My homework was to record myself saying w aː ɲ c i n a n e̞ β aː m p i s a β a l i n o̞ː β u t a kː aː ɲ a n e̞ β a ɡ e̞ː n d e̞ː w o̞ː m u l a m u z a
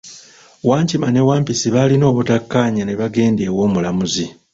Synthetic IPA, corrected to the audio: w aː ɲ c i m a n e̞ w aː m p i s i β a l i n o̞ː β u t a kː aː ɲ a n e̞ β a ɡ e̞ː n d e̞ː w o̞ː m u l a m u z i